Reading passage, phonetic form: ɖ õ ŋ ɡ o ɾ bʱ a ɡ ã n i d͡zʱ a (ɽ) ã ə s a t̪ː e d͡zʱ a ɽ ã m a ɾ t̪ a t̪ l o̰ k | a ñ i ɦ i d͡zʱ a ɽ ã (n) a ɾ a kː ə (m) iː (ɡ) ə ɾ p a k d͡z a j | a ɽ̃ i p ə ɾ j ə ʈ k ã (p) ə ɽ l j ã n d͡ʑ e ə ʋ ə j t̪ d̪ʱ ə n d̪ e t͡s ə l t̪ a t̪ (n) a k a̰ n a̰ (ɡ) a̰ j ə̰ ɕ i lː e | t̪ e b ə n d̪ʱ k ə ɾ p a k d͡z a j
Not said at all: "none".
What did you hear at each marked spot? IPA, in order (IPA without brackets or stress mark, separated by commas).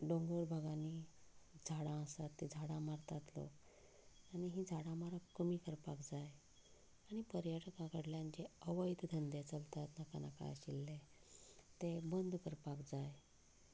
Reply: ɽ, m, m, k, k, n, k